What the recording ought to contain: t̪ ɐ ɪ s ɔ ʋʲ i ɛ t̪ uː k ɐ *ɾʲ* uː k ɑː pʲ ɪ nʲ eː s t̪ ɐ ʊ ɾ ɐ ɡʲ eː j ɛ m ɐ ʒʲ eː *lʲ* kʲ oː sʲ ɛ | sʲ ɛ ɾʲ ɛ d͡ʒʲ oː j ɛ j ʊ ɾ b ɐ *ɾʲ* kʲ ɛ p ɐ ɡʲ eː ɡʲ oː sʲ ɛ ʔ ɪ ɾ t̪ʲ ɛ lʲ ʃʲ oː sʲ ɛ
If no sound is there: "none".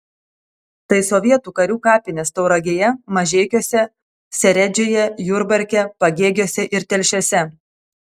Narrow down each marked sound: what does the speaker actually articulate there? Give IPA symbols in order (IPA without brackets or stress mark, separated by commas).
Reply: ɾʲ, none, ɾʲ